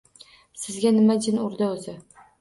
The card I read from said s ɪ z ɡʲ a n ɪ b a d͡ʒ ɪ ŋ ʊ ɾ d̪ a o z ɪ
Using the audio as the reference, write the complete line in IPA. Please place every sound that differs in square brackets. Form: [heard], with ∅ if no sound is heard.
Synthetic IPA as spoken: s ɪ z ɡʲ a n ɪ [m] a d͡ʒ ɪ [n] ʊ ɾ d̪ a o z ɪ